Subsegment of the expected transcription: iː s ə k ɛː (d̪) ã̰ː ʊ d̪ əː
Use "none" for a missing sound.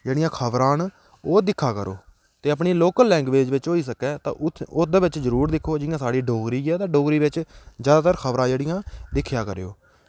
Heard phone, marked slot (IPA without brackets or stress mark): t̪